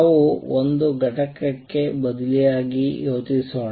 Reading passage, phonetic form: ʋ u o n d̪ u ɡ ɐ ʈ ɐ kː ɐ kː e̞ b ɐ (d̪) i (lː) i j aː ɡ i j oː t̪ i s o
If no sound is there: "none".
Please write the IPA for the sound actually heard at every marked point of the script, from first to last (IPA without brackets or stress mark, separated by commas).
d̪, l